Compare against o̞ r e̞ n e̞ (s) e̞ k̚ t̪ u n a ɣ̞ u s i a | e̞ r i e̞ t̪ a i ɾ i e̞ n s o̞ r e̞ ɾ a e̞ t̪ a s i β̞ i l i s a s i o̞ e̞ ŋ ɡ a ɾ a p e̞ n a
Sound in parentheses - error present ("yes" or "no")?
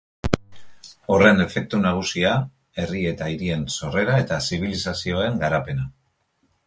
yes